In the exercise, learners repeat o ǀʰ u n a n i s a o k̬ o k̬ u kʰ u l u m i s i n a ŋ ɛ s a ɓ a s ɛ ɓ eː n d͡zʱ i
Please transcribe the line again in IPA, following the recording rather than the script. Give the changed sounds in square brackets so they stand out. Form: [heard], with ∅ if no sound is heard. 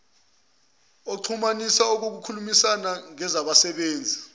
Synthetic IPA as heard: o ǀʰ u [m] a n i s a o k̬ o k̬ u kʰ u l u m i s [a] n a ŋ ɛ [z] a ɓ a s ɛ ɓ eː n d͡zʱ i